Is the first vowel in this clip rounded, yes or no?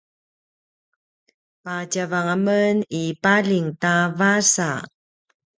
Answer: no